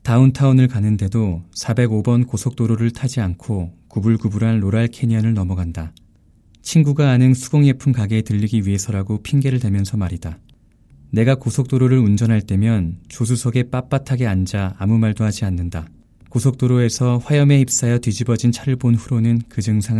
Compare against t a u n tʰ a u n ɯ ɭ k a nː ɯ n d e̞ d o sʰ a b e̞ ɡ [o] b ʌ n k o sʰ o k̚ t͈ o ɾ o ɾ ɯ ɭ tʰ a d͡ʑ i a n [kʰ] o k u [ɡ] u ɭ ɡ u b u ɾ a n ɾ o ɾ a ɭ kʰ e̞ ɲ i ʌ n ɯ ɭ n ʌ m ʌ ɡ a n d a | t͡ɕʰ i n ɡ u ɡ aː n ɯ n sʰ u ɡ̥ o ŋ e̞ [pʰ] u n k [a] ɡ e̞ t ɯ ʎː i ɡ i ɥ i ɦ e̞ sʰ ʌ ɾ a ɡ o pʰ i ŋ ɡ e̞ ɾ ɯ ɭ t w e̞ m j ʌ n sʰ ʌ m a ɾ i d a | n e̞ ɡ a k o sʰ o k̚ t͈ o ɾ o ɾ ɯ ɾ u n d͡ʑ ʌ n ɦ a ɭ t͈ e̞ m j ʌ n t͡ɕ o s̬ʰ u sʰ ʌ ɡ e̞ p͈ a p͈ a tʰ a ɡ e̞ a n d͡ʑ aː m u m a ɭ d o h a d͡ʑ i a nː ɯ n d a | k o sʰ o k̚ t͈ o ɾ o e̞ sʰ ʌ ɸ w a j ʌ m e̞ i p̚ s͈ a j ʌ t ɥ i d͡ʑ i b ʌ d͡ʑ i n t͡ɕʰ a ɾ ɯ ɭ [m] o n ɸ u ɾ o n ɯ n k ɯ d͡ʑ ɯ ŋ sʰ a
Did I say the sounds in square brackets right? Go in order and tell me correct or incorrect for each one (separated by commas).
correct, correct, incorrect, correct, correct, incorrect